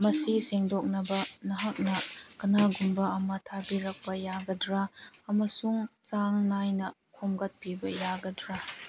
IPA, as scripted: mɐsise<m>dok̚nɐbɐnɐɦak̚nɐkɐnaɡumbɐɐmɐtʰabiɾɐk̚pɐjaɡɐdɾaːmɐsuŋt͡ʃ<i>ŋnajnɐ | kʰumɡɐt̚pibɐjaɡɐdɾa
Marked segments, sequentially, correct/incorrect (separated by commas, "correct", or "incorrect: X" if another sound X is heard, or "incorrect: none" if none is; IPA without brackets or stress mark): incorrect: ŋ, incorrect: a